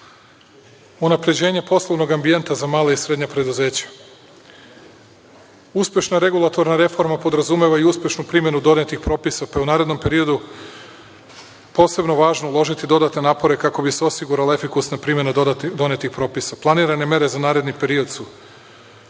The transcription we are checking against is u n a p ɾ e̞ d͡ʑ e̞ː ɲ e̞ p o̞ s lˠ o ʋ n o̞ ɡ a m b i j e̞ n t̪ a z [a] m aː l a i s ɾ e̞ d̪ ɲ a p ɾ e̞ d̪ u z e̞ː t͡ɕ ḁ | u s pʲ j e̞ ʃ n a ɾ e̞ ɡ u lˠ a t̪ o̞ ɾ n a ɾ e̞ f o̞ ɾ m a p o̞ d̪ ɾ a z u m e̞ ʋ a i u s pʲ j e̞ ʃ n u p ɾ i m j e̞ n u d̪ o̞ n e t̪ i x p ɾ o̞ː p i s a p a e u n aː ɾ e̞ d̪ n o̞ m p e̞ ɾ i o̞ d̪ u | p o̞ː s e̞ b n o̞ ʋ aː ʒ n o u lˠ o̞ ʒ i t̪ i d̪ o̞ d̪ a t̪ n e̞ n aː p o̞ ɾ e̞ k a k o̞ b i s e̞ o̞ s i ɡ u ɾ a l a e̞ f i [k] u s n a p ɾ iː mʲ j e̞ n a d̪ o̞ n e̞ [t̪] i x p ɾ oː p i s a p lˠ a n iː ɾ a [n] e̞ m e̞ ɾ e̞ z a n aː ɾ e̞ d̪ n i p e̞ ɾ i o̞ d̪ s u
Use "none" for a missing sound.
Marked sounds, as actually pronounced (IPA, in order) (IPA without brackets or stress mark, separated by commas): a, k, t̪, n